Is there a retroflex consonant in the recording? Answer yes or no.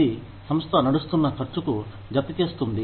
yes